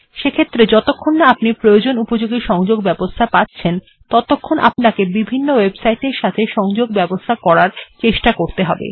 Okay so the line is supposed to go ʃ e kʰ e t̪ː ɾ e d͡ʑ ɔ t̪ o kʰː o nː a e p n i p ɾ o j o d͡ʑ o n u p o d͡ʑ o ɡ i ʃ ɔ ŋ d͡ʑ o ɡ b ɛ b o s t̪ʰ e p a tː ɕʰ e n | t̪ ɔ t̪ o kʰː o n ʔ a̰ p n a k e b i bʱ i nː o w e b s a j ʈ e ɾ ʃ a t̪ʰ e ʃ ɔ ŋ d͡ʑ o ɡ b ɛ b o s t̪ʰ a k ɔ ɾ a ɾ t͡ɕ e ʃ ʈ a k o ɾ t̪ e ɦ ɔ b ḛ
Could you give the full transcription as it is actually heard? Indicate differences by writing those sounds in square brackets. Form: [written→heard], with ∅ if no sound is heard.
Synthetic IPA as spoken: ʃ e kʰ e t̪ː ɾ e d͡ʑ ɔ t̪ o kʰː o nː a [e→a] p n i p ɾ o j o d͡ʑ o n u p o d͡ʑ o ɡ i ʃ ɔ ŋ d͡ʑ o ɡ b ɛ b o s t̪ʰ [e→a] p a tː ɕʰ e n | t̪ ɔ t̪ o kʰː o n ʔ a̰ p n a k e b i bʱ i nː o w e b s a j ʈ e ɾ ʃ a t̪ʰ e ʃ ɔ ŋ d͡ʑ o ɡ b ɛ b o s t̪ʰ a k ɔ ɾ a ɾ t͡ɕ e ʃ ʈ a k o ɾ t̪ e ɦ ɔ b ḛ